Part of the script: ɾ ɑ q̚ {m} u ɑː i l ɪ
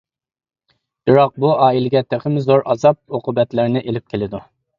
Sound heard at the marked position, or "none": b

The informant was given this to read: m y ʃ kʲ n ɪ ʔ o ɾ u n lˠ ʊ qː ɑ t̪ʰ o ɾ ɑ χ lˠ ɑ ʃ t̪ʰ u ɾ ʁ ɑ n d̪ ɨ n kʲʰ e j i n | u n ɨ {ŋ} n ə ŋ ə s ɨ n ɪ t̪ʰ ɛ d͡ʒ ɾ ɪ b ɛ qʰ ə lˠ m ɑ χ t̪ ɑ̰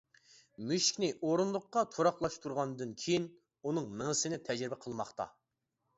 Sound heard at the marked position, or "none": ŋ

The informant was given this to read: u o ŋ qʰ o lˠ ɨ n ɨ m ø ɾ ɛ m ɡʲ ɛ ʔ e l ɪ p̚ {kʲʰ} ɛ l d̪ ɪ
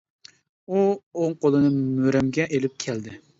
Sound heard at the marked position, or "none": kʲʰ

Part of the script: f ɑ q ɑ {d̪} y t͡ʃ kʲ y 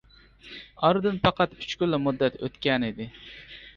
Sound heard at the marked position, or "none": t̪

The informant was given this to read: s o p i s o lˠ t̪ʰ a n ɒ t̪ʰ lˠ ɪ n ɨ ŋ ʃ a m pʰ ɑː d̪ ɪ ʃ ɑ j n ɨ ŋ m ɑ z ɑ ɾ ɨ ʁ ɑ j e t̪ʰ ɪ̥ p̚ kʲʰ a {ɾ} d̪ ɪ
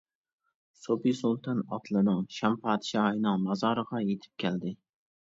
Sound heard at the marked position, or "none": l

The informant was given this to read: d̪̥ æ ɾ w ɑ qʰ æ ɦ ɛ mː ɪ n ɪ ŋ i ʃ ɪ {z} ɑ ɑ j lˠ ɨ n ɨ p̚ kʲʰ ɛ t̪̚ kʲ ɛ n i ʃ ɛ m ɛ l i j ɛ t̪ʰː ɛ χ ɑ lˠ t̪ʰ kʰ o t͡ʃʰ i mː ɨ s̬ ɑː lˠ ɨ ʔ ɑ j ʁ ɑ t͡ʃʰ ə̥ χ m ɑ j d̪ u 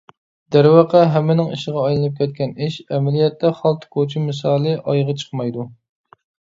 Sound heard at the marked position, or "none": ʁ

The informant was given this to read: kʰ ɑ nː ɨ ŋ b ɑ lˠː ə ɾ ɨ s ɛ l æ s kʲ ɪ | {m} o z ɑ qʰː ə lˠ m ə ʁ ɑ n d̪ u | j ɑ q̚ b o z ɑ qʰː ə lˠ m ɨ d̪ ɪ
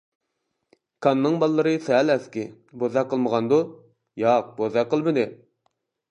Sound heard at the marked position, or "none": b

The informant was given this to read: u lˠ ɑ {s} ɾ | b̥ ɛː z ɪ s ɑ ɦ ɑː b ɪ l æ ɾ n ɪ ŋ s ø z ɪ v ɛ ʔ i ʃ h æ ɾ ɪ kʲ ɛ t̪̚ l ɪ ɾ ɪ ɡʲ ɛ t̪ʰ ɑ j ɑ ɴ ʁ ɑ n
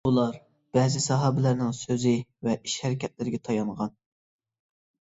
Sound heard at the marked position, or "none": none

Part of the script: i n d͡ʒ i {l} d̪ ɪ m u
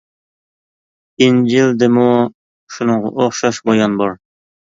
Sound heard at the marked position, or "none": l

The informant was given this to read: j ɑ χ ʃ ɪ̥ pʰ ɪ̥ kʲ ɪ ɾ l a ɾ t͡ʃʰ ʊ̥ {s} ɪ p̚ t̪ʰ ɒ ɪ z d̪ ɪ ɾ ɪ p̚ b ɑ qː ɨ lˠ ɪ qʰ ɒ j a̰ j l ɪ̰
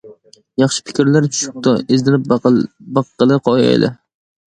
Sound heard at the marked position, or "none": ʃ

